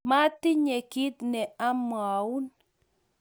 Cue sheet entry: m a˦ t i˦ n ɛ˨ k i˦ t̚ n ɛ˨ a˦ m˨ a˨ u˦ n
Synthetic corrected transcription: m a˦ t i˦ ɲ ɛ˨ k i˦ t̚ n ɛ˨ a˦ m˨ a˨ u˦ n

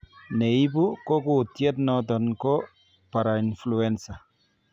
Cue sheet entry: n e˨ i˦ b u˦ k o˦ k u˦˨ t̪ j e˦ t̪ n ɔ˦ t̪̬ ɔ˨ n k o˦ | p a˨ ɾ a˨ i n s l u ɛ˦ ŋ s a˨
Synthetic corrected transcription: n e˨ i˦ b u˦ k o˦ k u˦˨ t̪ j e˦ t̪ n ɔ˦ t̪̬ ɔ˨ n k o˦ | p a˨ ɾ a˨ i n f l u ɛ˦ n s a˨

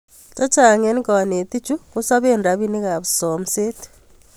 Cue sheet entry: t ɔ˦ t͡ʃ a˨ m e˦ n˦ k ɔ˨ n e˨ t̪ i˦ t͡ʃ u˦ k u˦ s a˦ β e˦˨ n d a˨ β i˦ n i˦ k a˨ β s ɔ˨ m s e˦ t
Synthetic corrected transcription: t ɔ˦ t͡ʃ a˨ ŋ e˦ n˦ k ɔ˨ n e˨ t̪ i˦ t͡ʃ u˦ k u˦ s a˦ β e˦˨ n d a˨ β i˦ n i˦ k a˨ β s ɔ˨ m s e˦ t

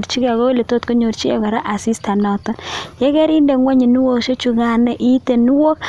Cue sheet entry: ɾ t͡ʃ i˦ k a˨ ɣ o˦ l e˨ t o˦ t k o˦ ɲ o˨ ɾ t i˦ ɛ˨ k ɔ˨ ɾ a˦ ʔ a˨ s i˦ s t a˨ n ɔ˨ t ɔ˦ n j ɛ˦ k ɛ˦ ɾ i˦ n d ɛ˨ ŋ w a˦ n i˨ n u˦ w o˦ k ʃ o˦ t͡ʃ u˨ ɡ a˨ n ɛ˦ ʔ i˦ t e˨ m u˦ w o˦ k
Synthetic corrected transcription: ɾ t͡ʃ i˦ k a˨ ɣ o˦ l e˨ t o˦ t k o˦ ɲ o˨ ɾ t͡ʃ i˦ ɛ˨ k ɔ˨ ɾ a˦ ʔ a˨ s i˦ s t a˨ n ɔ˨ t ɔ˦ n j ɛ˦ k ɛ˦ ɾ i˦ n d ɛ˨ ŋ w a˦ ɲ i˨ n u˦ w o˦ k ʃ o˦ t͡ʃ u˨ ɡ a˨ n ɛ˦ ʔ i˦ t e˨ n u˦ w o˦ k

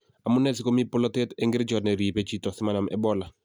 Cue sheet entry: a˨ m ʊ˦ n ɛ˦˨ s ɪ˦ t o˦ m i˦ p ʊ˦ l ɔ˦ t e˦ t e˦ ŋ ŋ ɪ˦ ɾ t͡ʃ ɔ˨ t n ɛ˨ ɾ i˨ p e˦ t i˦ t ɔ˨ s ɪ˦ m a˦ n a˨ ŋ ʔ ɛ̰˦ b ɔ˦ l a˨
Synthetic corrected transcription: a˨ m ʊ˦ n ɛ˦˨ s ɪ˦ k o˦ m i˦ p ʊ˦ l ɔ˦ t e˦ t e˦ ŋ ɡ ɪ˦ ɾ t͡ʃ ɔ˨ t n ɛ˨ ɾ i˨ p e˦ t͡ʃ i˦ t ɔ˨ s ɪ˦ m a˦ n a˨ m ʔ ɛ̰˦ b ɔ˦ l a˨

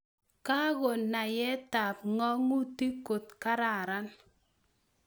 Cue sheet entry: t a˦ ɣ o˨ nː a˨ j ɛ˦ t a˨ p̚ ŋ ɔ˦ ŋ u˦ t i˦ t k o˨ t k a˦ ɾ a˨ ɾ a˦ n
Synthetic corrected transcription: k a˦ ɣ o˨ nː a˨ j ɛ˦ t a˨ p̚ ŋ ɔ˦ ŋ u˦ t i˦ k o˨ t k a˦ ɾ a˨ ɾ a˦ n

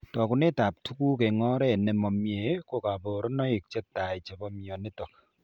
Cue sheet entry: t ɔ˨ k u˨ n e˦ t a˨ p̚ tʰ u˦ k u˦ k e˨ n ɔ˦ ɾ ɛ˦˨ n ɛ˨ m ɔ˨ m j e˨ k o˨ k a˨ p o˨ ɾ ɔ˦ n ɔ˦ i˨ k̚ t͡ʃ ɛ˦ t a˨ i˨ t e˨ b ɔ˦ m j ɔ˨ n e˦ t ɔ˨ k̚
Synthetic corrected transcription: t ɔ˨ k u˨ n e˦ t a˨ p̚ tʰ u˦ k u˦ k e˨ ŋ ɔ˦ ɾ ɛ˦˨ n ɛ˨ m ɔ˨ m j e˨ k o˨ k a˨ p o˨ ɾ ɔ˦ n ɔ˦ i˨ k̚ t͡ʃ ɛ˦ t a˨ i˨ t͡ʃ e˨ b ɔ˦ m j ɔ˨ n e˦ t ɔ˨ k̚

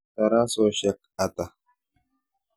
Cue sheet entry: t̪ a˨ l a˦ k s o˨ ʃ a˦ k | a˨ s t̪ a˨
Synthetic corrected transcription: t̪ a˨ ɾ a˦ s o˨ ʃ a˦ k | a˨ t̪ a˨

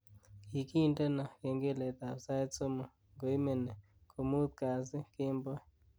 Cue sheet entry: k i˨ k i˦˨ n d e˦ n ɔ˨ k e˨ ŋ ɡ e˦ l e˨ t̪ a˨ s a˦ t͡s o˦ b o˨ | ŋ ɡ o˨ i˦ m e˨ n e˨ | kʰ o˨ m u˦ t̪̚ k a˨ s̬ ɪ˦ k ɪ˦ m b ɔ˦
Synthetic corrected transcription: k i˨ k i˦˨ n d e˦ n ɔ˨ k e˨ ŋ ɡ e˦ l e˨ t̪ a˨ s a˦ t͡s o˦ m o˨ | ŋ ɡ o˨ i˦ m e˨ n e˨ | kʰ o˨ m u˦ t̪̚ k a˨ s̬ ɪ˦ k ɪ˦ m b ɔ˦

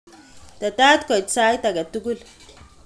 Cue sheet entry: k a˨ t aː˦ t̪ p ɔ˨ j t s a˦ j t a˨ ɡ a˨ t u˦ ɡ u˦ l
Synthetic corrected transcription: t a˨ t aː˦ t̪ k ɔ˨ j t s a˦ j t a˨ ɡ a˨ t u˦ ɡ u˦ l

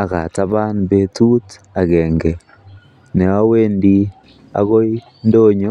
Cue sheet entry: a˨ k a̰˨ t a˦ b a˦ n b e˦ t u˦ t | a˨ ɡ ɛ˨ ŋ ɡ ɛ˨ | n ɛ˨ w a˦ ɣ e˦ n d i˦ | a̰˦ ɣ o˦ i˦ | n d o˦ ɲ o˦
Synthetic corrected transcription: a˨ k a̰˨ t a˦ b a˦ n b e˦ t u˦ t | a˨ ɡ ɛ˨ ŋ ɡ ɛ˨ | n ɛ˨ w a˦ w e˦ n d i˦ | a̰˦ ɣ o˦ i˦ | n d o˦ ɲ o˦

